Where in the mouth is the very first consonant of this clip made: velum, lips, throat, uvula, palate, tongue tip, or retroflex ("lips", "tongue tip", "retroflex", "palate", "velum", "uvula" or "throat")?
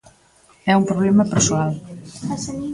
lips